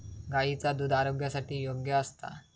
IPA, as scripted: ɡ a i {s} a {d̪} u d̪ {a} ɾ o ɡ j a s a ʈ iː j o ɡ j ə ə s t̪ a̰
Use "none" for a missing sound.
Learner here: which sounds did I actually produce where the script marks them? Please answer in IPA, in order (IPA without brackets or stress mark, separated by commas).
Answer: t͡s, d̪, a